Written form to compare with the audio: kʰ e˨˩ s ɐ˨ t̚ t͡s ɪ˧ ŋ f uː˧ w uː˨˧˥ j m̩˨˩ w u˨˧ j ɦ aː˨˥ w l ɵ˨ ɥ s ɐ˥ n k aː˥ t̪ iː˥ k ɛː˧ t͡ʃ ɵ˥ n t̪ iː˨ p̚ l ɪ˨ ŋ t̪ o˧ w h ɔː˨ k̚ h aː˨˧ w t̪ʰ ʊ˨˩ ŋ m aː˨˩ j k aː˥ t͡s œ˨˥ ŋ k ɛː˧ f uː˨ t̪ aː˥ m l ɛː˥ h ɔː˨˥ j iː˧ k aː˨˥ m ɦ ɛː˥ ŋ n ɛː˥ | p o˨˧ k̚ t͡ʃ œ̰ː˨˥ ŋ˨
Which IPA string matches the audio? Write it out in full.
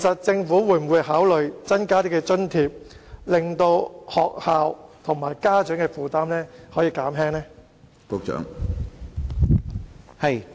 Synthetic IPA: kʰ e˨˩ s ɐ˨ t̚ t͡s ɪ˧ ŋ f uː˨˥ w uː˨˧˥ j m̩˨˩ w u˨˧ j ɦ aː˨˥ w l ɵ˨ ɥ t͡s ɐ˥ n k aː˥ t̪ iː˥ k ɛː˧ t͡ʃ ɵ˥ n t̪ʰ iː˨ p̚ l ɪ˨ ŋ t̪ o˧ w h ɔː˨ k̚ h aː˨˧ w t̪ʰ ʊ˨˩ ŋ m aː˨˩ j k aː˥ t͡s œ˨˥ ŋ k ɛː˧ f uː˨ t̪ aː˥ m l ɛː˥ h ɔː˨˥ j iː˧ k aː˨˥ m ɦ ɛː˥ ŋ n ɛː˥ | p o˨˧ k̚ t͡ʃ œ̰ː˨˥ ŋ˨

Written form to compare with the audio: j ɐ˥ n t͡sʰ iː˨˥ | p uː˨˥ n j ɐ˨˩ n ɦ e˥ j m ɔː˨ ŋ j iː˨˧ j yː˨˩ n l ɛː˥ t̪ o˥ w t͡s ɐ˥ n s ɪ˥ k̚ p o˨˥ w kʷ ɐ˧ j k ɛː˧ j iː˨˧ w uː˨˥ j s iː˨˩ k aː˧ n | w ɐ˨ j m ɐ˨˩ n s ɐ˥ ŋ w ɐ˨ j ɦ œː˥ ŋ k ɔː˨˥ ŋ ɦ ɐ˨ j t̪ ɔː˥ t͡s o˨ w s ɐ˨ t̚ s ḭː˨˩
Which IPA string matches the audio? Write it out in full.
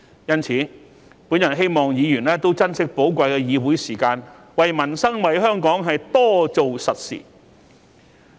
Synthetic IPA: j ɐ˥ n t͡sʰ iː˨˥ | p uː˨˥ n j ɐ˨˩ n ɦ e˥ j m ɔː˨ ŋ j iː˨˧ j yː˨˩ n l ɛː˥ t̪ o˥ w t͡s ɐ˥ n s ɪ˥ k̚ p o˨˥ w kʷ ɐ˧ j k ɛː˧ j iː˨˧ w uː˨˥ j s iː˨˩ k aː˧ n | w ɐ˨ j m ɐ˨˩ n s ɐ˥ ŋ w ɐ˨ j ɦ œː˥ ŋ k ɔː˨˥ ŋ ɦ ɐ˨ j t̪ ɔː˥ t͡s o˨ w s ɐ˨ t̚ s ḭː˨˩

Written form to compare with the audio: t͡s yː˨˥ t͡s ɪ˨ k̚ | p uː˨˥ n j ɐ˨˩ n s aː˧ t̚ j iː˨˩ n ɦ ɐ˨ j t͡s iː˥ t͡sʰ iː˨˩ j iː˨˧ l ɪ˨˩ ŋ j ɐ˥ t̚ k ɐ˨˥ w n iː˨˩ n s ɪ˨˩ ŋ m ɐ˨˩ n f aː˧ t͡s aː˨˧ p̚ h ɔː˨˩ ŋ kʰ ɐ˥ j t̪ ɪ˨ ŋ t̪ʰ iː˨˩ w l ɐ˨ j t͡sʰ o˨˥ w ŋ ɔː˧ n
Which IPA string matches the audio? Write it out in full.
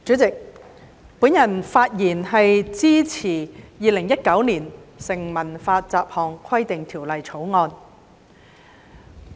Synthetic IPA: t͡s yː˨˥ t͡s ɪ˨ k̚ | p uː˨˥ n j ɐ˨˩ n f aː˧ t̚ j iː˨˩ n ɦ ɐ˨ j t͡s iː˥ t͡sʰ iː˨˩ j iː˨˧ l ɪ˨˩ ŋ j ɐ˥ t̚ k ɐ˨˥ w n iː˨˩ n s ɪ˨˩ ŋ m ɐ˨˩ n f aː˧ t͡s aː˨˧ p̚ h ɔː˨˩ ŋ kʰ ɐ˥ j t̪ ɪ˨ ŋ t̪ʰ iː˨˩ w l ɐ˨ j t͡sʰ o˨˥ w ŋ ɔː˧ n

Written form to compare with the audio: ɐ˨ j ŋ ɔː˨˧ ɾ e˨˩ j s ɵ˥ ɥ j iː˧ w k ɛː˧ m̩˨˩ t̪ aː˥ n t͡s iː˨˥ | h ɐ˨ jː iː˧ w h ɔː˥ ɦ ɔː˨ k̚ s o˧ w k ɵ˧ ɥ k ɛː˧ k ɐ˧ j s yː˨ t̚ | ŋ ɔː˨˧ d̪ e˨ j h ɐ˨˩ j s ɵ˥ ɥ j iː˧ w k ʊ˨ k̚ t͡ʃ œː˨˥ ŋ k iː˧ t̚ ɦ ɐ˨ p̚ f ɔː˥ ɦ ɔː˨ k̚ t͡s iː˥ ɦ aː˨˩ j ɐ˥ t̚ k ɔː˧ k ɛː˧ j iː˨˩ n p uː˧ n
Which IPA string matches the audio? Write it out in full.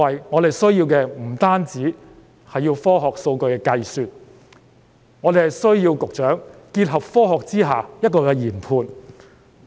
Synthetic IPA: ɐ˨ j ŋ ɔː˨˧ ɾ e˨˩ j s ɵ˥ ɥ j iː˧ w k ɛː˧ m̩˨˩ t̪ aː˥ n t͡s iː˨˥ | h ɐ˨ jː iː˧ w f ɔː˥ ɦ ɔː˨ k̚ s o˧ w k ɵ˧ ɥ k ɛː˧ k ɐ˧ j s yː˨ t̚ | ŋ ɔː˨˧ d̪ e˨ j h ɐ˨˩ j s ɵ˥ ɥ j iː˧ w k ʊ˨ k̚ t͡ʃ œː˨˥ ŋ k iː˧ t̚ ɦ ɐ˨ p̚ f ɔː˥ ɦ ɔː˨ k̚ t͡s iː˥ ɦ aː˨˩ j ɐ˥ t̚ k ɔː˧ k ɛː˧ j iː˨˩ n pʰ uː˧ n

